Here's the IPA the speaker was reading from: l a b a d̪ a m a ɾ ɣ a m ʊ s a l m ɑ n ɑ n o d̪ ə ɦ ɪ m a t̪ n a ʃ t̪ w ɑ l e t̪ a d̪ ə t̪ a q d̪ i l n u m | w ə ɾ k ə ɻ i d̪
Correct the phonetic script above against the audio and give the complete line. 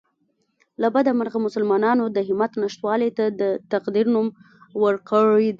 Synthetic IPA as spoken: l a b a d̪ a m a ɾ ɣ a m ʊ s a l m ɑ n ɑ n o d̪ ə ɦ ɪ m a t̪ n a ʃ t̪ w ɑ l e t̪ a d̪ ə t̪ a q d̪ i ɾ n u m | w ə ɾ k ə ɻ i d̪